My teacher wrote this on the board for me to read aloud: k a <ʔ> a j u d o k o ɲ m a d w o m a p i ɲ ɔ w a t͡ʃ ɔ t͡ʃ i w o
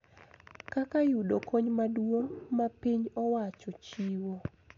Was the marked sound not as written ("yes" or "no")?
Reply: yes